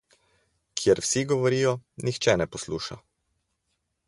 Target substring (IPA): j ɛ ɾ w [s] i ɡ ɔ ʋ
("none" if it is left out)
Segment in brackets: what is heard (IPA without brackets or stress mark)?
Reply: s